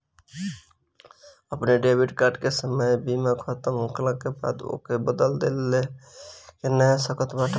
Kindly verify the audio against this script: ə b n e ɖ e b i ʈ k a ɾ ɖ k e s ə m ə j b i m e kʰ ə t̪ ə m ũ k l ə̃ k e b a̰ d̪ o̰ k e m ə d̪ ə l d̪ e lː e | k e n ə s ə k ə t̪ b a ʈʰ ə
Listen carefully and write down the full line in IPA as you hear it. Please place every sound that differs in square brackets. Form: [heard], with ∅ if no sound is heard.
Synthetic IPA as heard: ə [p] n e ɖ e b i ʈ k a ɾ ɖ k e s ə m ə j b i m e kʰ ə t̪ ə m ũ k l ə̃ k e b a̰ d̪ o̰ k e [b] ə d̪ ə l d̪ e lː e | k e n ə s ə k ə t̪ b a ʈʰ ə